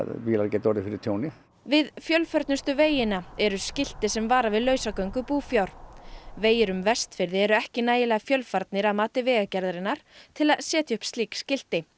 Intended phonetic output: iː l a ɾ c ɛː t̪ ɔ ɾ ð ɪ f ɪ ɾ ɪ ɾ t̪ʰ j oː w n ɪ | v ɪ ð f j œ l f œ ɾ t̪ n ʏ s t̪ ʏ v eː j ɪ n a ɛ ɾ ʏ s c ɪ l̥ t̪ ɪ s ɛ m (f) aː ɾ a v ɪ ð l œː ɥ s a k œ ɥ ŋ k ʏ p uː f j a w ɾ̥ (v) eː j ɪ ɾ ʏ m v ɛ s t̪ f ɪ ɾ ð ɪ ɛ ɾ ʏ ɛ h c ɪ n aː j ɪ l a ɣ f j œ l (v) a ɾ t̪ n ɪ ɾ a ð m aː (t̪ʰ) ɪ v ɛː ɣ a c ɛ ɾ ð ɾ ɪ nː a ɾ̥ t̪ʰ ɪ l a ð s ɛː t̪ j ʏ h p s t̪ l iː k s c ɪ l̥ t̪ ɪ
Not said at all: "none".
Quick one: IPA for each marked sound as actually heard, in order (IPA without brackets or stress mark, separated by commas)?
v, v, f, t̪